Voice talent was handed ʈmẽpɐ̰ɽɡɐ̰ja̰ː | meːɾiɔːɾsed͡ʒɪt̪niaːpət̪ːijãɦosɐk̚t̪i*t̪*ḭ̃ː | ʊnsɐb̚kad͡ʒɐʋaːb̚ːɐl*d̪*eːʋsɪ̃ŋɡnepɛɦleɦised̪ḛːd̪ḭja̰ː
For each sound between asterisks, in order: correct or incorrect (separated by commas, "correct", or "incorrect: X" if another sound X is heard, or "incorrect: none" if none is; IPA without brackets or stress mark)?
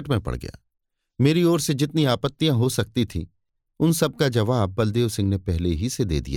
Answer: incorrect: t̪ʰ, correct